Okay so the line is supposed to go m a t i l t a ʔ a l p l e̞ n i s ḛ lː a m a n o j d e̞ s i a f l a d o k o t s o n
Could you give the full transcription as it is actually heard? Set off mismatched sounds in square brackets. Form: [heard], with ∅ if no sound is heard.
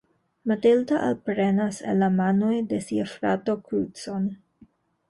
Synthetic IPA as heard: m a t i l t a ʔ a l p [ɾ] e̞ n [a] s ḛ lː a m a n o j d e̞ s i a f [ɾ] a [t] o k [u] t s o n